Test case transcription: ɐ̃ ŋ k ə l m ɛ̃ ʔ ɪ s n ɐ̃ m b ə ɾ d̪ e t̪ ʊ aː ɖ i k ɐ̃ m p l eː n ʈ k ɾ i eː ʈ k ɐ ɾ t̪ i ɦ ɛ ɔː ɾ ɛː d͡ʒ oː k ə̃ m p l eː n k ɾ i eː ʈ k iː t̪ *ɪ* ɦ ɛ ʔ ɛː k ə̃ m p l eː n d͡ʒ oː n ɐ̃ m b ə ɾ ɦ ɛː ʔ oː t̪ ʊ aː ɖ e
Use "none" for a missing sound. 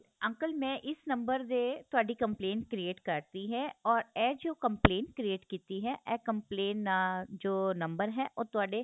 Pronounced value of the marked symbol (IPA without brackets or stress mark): i